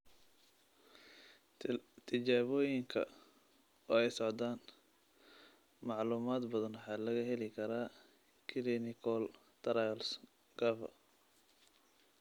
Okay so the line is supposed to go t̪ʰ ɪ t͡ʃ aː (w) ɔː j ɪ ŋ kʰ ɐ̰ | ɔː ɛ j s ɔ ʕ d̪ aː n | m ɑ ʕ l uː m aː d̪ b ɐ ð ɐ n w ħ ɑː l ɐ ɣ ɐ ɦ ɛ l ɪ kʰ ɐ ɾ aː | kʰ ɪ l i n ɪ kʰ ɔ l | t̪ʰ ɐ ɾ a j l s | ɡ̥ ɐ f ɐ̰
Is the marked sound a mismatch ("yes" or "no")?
yes